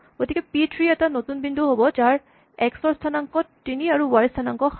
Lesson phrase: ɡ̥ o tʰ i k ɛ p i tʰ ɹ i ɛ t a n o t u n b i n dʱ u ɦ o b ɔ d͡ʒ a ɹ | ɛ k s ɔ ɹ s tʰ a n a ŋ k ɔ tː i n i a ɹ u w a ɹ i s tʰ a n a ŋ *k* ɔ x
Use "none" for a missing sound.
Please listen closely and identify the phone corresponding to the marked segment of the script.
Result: k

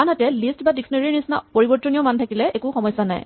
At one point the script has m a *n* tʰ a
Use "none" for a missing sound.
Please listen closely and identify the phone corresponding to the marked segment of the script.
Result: n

